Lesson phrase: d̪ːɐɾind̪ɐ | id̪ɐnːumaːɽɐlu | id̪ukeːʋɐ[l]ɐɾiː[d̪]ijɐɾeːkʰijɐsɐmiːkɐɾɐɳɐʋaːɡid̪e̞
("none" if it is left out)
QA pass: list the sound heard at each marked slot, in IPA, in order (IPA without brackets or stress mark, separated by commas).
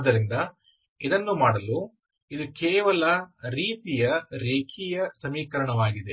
l, t̪